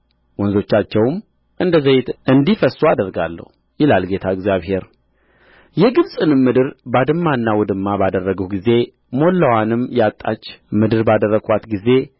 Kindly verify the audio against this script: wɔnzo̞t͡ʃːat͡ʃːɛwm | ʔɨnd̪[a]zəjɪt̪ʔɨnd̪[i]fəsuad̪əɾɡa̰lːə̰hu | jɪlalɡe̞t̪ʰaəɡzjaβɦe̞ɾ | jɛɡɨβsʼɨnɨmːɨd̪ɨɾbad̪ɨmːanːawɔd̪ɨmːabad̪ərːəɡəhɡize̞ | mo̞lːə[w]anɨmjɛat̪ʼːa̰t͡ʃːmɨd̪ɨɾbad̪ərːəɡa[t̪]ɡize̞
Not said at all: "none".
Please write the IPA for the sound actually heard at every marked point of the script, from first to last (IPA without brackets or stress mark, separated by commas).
ə, i, w, t̪